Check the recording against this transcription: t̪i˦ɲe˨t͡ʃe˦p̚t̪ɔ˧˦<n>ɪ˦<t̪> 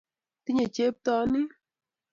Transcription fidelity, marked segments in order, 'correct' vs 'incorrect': correct, incorrect: none

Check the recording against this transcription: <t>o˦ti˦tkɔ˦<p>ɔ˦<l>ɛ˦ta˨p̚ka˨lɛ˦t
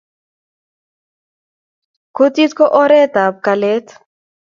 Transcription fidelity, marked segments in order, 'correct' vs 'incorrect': incorrect: k, incorrect: ʔ, incorrect: ɾ

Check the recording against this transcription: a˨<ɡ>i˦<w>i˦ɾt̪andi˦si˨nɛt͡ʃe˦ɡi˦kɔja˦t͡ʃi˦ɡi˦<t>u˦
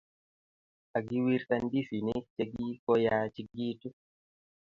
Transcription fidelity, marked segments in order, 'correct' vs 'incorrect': correct, correct, correct

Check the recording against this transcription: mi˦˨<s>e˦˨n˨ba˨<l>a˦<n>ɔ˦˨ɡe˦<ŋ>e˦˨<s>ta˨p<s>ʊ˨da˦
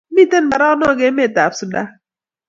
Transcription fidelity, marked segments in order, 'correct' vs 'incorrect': incorrect: t, incorrect: ɾ, correct, incorrect: m, incorrect: none, correct

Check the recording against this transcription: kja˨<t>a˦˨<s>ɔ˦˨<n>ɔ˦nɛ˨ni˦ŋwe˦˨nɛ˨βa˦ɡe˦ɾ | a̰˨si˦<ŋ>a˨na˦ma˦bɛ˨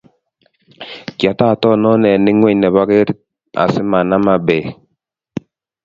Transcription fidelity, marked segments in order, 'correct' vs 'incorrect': correct, incorrect: t, correct, incorrect: m

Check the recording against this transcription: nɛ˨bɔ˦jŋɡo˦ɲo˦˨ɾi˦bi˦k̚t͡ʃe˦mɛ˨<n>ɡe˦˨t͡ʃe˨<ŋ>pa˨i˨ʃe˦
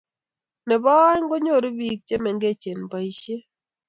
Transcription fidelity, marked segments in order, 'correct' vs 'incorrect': incorrect: ŋ, incorrect: n

